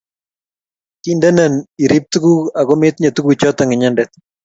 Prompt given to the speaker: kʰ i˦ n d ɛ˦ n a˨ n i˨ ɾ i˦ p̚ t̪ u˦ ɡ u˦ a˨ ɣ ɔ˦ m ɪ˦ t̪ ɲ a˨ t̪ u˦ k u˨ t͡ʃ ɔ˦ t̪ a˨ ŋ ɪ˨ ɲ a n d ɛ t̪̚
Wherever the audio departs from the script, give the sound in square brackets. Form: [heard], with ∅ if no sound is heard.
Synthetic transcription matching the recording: [k] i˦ n d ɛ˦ n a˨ n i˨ ɾ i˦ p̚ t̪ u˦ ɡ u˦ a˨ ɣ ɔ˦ m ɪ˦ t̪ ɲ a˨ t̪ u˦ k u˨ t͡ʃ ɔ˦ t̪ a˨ ŋ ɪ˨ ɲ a n d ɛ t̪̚